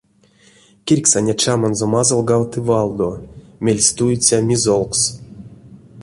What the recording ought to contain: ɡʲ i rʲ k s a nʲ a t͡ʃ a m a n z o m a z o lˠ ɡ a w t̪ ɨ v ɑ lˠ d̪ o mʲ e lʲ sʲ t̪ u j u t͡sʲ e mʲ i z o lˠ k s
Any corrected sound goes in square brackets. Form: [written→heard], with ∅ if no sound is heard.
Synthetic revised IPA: [ɡʲ→kʲ] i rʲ k s a nʲ a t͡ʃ a m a n z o m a z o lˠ ɡ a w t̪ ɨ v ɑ lˠ d̪ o mʲ e lʲ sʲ t̪ u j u t͡sʲ [e→a] mʲ i z o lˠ k s